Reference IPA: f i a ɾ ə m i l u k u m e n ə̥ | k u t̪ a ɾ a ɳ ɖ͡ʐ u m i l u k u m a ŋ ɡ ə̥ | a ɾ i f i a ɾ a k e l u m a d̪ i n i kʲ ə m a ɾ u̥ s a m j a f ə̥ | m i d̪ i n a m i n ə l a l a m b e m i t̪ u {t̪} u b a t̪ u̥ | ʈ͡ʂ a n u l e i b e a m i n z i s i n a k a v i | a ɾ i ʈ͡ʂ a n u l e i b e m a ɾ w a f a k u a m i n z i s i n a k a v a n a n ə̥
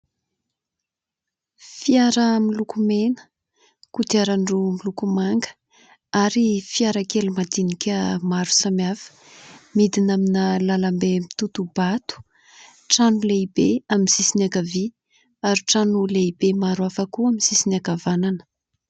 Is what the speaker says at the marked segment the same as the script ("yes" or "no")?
yes